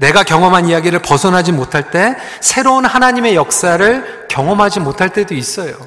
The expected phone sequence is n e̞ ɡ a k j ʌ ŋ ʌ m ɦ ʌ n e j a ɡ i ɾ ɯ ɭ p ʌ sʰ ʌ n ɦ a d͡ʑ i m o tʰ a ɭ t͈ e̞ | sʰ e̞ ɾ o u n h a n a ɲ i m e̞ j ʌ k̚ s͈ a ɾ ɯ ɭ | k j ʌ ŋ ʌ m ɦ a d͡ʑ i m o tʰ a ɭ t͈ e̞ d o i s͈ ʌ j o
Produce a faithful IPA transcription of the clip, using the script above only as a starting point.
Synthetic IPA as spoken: n e̞ ɡ a k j ʌ ŋ ʌ m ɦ a n i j a ɡ i ɾ ɯ ɭ p ʌ sʰ ʌ n ɦ a d͡ʑ i m o tʰ a ɭ t͈ e̞ | sʰ e̞ ɾ o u n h a n a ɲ i m e̞ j ʌ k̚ s͈ a ɾ ɯ ɭ | k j ʌ ŋ ʌ m ɦ a d͡ʑ i m o tʰ a ɭ t͈ e̞ d o i s͈ ʌ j o